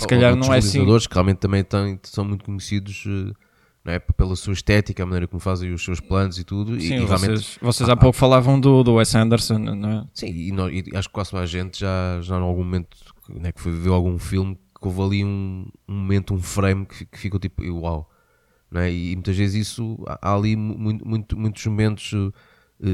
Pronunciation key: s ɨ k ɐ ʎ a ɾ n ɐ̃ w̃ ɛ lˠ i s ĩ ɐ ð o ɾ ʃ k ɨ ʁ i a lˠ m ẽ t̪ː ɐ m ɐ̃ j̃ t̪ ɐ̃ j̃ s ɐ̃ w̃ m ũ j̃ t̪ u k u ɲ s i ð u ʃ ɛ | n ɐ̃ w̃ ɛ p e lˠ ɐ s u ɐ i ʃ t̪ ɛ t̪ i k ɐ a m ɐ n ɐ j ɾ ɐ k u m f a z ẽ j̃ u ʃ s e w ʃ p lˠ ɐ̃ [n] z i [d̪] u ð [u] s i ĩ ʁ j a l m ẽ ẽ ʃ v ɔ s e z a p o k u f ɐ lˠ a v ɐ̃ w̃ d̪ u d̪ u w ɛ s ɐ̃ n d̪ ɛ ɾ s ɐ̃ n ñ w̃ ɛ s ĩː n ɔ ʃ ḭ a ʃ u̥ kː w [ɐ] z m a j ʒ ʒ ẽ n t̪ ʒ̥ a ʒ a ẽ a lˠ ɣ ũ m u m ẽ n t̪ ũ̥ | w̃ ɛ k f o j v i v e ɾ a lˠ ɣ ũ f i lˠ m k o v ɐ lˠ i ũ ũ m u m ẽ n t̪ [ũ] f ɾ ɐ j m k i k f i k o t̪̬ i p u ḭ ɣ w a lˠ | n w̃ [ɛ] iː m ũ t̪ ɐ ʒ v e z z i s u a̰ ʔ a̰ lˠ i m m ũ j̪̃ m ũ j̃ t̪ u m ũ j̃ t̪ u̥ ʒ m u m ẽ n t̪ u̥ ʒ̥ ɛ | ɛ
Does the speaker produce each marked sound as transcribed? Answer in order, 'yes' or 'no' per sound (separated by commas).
yes, no, yes, no, yes, yes